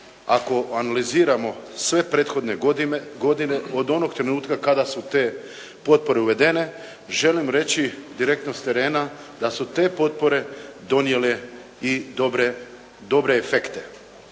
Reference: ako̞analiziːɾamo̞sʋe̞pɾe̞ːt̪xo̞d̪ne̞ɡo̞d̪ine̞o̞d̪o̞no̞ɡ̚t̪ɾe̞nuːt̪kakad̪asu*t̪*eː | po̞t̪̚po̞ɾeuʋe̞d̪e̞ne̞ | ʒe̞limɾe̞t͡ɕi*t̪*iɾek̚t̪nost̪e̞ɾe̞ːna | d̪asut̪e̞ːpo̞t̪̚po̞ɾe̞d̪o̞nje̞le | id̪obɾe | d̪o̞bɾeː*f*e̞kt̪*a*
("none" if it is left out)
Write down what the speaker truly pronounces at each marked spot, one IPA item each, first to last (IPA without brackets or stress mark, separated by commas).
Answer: t̪, d̪, f, e